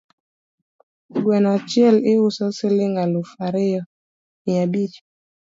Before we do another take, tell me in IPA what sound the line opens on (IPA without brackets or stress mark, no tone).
ɡ